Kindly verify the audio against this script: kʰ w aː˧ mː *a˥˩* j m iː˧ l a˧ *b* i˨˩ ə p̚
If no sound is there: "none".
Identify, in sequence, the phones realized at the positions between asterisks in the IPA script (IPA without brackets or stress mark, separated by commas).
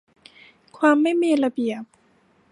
a˥˩, b